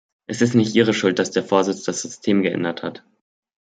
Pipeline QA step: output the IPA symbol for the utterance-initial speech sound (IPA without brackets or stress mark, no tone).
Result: ʔ